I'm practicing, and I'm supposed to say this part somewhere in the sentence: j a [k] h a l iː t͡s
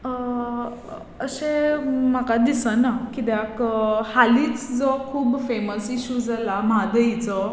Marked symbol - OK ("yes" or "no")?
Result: yes